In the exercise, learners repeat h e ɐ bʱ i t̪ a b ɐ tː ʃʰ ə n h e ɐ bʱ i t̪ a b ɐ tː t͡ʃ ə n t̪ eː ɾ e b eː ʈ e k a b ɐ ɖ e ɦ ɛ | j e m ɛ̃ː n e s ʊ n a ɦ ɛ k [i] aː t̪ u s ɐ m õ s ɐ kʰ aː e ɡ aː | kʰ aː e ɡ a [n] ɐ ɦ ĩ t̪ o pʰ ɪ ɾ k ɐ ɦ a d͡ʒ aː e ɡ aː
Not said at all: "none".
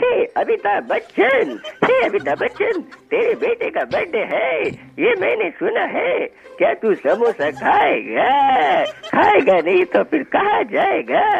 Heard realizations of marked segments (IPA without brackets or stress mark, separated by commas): j, n